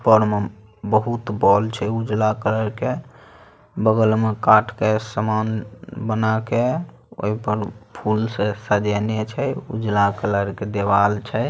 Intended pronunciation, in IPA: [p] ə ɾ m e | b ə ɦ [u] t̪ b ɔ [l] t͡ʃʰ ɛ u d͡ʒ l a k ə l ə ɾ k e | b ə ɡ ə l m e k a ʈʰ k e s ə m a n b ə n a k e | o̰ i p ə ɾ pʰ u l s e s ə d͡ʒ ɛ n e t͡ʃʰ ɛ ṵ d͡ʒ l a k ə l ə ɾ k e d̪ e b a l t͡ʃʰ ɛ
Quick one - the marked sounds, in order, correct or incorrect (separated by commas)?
correct, correct, correct